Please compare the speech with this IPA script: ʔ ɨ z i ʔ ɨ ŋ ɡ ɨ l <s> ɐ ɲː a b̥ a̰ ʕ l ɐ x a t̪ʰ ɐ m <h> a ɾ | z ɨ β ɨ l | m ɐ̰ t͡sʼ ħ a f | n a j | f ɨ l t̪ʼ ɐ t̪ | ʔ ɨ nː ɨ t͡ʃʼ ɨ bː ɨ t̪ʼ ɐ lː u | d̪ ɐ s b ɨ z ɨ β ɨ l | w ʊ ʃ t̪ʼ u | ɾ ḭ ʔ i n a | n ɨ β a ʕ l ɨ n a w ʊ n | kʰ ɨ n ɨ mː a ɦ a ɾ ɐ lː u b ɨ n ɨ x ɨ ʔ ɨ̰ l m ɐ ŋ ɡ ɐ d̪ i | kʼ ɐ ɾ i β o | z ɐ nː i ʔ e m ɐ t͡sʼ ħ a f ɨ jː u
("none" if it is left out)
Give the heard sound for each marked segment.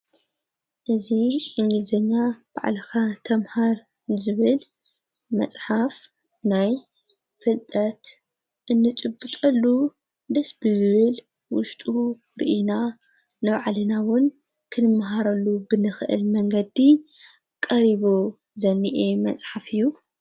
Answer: z, h

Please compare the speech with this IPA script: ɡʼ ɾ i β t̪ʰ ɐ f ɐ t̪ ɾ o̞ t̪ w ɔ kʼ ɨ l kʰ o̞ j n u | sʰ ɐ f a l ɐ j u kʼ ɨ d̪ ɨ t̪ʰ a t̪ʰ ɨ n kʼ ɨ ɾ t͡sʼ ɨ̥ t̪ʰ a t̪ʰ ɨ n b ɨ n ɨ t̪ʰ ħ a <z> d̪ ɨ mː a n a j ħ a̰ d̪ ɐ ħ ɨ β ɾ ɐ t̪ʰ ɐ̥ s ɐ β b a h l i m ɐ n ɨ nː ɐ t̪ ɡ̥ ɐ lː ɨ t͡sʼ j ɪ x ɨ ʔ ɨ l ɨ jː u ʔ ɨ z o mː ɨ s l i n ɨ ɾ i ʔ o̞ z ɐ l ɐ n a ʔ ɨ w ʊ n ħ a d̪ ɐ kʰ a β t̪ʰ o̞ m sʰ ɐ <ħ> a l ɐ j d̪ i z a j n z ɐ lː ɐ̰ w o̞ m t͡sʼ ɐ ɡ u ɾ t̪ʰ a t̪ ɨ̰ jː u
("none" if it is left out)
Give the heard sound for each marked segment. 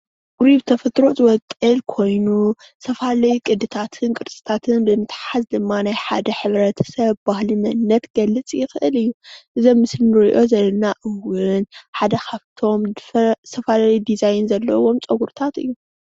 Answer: z, f

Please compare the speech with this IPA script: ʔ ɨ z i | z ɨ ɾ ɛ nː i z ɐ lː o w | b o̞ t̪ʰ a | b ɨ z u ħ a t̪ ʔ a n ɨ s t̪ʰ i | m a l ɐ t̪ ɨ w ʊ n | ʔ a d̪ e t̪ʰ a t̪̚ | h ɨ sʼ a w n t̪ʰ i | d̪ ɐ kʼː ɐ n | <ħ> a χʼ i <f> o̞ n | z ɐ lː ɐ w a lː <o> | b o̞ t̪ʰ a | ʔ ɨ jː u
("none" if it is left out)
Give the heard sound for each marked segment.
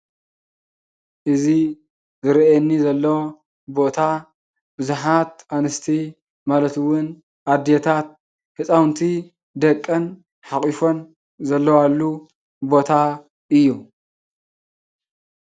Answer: ħ, f, u

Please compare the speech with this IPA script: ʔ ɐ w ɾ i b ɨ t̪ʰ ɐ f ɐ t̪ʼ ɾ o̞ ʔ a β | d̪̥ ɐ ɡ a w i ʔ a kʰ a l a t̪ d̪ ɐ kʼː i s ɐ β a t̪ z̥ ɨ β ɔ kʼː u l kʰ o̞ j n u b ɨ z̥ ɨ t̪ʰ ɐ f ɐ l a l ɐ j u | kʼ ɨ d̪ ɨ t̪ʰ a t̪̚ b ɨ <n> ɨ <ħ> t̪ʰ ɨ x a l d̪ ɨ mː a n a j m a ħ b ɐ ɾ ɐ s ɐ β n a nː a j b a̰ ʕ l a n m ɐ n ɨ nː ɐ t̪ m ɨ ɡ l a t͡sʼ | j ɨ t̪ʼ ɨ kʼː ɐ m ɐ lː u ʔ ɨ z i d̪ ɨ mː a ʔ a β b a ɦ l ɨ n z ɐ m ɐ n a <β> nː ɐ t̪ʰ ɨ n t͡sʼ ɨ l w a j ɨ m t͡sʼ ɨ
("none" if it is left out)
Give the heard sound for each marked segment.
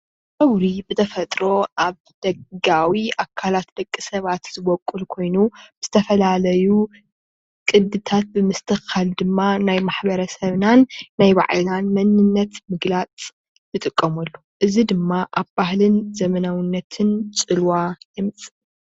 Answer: m, s, w

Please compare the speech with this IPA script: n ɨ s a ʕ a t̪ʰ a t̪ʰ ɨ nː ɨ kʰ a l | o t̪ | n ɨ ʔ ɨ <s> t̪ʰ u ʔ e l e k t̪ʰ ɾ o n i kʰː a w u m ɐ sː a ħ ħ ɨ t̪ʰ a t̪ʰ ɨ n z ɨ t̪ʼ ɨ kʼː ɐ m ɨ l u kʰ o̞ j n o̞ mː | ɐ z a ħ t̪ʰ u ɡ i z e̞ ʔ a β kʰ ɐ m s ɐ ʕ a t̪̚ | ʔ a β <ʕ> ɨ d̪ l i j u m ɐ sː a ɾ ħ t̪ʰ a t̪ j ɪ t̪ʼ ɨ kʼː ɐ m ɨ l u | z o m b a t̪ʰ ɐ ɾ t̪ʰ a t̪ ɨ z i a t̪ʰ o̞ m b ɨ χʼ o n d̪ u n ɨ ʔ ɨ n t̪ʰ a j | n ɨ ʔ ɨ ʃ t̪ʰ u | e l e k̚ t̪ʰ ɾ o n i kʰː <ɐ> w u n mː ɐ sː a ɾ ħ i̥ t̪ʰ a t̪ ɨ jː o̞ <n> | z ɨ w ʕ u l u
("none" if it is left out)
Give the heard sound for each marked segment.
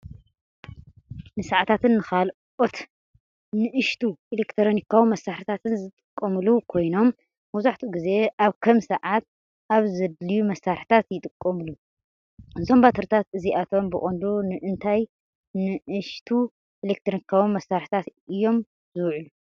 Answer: ʃ, z, a, m

